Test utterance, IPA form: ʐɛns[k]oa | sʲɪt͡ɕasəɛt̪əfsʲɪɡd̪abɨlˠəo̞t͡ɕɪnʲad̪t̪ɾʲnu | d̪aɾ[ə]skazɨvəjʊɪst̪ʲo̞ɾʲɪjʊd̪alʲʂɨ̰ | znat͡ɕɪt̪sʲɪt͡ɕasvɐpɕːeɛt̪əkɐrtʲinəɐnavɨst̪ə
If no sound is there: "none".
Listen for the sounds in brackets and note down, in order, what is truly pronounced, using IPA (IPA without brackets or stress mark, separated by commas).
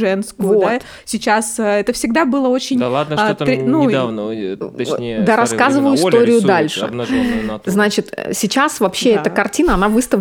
k, ɐ